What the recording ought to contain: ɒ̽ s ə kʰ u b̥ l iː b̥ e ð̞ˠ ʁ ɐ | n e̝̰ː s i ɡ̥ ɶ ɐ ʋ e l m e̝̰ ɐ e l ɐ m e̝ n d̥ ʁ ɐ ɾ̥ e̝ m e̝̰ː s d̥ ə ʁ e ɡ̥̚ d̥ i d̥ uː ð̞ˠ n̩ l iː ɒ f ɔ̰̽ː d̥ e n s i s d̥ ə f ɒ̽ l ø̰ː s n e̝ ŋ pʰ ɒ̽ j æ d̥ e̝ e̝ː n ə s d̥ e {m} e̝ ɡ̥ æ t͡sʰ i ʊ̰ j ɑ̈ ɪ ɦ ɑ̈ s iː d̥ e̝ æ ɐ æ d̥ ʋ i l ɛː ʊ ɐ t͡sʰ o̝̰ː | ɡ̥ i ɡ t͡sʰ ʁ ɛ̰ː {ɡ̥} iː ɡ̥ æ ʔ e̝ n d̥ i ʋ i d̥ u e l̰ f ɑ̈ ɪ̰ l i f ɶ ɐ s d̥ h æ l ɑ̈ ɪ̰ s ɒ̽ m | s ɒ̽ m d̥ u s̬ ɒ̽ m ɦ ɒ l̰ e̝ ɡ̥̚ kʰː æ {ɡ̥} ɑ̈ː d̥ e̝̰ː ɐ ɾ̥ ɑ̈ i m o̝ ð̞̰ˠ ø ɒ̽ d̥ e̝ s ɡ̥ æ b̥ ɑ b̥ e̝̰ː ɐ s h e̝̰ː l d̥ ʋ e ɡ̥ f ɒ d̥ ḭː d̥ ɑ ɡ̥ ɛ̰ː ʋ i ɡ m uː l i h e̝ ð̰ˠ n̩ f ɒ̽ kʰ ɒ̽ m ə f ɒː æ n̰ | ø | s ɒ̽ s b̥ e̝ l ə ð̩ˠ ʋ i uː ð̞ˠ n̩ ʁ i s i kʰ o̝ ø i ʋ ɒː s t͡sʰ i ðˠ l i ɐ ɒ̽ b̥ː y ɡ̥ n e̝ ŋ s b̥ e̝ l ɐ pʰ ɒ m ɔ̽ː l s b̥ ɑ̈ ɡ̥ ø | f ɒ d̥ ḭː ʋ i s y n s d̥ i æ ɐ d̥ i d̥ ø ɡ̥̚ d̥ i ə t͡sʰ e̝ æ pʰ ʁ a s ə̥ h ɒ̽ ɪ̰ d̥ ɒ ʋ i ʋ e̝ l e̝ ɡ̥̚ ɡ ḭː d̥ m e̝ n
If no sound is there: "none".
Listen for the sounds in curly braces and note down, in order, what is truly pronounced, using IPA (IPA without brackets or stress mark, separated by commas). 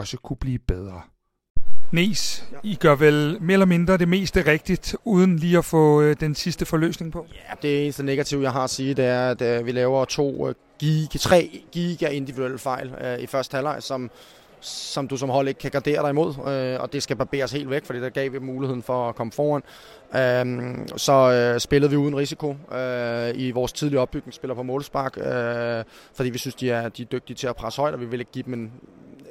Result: n, ɡ̥, ɡ̥